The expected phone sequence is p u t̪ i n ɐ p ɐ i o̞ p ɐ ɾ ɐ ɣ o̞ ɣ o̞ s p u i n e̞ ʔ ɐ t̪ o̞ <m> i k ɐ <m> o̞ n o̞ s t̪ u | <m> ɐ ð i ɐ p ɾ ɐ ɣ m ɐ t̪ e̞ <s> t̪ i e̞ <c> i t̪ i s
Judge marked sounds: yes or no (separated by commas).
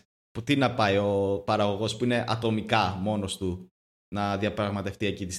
yes, yes, no, no, yes